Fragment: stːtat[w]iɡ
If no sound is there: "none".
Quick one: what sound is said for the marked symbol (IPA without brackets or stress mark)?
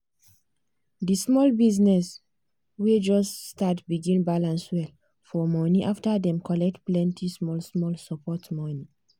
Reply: b